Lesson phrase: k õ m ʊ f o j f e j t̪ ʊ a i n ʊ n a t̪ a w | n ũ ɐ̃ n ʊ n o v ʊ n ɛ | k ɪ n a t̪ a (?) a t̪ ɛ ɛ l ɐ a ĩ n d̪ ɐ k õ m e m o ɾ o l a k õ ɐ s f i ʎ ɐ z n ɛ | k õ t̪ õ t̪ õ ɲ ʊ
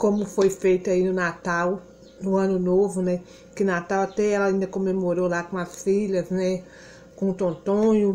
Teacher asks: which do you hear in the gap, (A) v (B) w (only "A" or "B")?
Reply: B